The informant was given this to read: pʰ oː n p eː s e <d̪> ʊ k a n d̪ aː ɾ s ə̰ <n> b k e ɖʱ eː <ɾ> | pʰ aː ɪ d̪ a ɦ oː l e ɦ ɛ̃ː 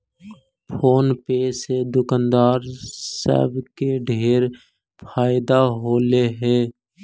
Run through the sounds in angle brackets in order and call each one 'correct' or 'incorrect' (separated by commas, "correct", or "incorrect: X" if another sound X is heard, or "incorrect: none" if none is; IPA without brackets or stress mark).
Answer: correct, incorrect: none, correct